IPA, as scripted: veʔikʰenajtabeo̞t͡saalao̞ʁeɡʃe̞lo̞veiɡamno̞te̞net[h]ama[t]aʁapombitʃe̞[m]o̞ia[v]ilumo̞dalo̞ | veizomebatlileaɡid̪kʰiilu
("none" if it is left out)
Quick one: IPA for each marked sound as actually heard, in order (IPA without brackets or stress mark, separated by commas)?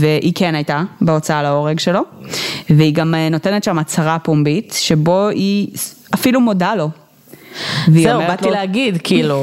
ʃ, t͡s, b, f